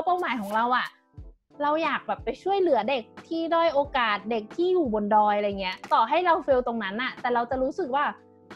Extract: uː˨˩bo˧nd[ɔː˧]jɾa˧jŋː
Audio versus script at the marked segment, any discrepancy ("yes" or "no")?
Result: no